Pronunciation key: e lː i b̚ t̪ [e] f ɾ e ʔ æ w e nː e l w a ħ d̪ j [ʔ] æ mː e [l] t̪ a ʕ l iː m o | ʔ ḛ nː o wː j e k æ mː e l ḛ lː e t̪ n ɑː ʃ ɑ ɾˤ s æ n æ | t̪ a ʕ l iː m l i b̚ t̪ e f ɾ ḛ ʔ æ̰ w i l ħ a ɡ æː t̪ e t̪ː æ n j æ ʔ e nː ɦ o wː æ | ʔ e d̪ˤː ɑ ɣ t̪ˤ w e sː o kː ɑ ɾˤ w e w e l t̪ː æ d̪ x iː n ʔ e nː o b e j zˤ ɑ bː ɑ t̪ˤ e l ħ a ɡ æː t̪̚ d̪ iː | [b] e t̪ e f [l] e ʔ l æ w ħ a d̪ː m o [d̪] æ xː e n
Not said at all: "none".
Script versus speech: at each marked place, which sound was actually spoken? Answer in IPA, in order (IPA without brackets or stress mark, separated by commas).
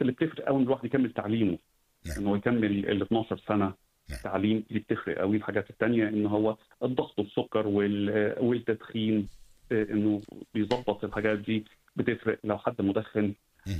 e, k, l, b, ɾ, d̪